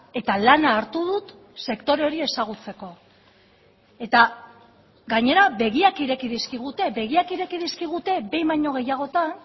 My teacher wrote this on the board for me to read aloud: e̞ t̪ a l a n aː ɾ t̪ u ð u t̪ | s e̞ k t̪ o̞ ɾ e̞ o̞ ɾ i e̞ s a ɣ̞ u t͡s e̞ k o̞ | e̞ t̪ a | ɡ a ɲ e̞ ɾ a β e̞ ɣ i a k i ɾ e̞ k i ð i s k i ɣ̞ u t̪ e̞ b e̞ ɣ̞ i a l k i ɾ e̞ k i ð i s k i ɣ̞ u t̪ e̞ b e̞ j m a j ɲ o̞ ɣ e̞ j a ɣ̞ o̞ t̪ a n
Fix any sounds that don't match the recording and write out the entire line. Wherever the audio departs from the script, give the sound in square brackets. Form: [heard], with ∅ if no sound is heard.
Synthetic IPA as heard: e̞ t̪ a l a n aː ɾ t̪ u ð u t̪ | s e̞ k t̪ o̞ ɾ e̞ o̞ ɾ i e̞ s a ɣ̞ u t͡s e̞ k o̞ | e̞ t̪ a | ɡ a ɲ e̞ ɾ a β e̞ ɣ i a k i ɾ e̞ k i ð i s k i ɣ̞ u t̪ e̞ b e̞ ɣ̞ i a [∅] k i ɾ e̞ k i ð i s k i ɣ̞ u t̪ e̞ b e̞ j m a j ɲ o̞ ɣ e̞ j a ɣ̞ o̞ t̪ a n